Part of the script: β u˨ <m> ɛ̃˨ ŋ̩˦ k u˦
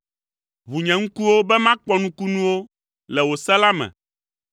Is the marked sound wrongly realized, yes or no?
yes